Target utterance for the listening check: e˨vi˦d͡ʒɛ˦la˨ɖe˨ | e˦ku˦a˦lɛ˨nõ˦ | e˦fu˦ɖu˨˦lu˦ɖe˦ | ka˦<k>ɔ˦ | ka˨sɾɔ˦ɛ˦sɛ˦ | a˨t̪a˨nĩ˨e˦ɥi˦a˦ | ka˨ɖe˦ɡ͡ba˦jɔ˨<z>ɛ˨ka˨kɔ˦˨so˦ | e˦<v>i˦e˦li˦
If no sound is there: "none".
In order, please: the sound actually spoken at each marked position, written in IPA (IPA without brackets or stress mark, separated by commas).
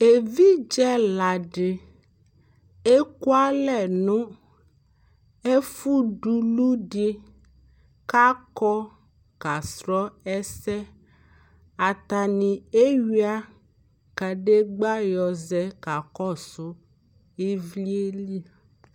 k, z, v